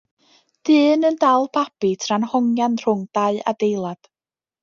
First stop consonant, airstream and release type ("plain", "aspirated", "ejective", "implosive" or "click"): plain